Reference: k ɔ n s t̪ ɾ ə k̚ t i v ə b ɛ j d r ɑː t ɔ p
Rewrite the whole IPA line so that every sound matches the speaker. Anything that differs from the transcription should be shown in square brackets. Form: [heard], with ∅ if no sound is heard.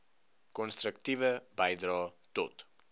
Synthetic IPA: k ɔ n s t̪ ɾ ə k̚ t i v ə b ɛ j d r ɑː t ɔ [t]